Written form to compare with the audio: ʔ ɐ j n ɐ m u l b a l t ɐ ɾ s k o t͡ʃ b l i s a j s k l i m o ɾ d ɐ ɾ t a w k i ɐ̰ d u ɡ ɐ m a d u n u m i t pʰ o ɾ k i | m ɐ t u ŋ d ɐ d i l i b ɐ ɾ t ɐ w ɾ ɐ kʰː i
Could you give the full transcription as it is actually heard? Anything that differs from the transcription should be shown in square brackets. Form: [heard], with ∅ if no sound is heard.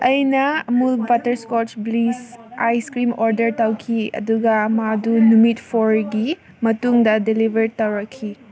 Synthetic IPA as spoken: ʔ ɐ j n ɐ m u l b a [∅] t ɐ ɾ s k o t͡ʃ b l i s a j s k [ɾ] i m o ɾ d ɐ ɾ t a w [kʰ] i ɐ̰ d u ɡ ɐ m a d u n u m i t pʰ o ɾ [ɡ] i | m ɐ t u ŋ d ɐ d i l i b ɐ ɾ t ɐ w ɾ ɐ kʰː i